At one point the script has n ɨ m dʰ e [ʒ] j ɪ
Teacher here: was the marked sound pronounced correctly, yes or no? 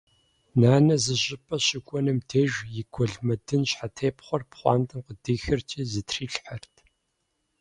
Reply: yes